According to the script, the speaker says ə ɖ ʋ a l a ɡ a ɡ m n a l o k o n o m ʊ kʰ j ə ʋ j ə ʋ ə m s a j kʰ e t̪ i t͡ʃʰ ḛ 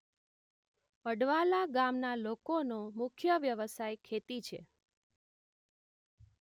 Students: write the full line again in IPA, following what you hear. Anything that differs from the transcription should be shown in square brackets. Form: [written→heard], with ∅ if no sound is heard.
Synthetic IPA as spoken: ə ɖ ʋ a l a ɡ a [ɡ→∅] m n a l o k o n o m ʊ kʰ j ə ʋ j ə ʋ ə [m→∅] s a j kʰ e t̪ i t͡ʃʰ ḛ